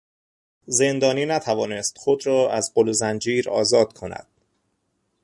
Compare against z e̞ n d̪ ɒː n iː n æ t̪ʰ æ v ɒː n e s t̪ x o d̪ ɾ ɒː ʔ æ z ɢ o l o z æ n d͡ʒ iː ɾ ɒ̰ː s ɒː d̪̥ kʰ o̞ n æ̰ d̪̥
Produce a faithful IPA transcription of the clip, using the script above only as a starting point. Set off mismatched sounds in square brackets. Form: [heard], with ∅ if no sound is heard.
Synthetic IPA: z e̞ n d̪ ɒː n iː n æ t̪ʰ æ v ɒː n e s t̪ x o d̪ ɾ ɒː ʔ æ z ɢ o l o z æ n d͡ʒ iː ɾ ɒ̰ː [z] ɒː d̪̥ kʰ o̞ n æ̰ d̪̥